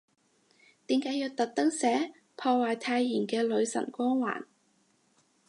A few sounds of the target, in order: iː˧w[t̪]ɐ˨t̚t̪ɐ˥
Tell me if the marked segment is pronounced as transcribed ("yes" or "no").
yes